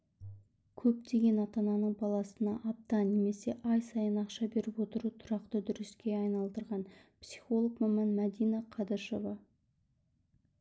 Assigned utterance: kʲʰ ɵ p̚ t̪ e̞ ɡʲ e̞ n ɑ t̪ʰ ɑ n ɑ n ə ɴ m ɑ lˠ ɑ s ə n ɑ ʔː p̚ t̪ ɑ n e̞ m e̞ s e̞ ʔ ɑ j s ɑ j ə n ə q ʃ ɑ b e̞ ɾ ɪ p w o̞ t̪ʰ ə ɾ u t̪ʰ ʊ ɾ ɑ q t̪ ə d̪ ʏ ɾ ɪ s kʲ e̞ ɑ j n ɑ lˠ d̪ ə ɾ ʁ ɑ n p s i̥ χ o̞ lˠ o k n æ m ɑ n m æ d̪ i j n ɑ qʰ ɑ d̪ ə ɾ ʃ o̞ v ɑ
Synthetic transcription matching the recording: kʲʰ ɵ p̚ t̪ e̞ ɡʲ e̞ n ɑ t̪ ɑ n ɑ n ə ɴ b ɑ lˠ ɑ s ə n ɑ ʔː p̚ t̪ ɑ n e̞ m e̞ s e̞ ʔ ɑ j s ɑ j ə n ɑ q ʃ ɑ b e̞ ɾ ɪ p w o̞ t̪ ə ɾ u t̪ʰ ʊ ɾ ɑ q t̪ ə d̪ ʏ ɾ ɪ s kʲ e̞ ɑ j n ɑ lˠ d̪ ə ɾ ʁ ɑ n p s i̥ χ o̞ lˠ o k m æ m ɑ n m æ d̪ i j n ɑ qʰ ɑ d̪ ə ɾ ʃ o̞ v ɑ